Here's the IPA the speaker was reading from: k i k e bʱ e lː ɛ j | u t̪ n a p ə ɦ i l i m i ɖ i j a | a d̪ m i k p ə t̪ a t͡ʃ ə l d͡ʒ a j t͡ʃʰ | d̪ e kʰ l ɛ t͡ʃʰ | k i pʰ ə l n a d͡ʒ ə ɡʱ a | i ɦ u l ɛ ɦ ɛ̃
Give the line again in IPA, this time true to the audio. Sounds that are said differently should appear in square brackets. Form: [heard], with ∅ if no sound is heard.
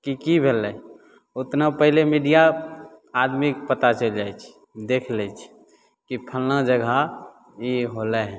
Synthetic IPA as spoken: k i k [i] bʱ e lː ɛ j | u t̪ n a p ə ɦ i l [e] m i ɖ i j a | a d̪ m i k p ə t̪ a t͡ʃ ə l d͡ʒ a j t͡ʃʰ | d̪ e kʰ l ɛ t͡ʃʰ | k i pʰ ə l n a d͡ʒ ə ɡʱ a | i ɦ [o] l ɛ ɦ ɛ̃